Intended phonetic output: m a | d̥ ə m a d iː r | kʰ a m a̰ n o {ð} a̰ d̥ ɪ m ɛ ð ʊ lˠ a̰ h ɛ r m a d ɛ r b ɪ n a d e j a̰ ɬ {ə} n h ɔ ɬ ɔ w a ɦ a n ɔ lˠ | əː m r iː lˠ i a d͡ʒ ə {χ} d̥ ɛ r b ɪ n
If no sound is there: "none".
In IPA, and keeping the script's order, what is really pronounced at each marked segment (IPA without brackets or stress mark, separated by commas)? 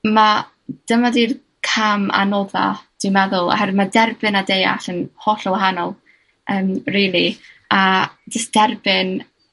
ð, ə, s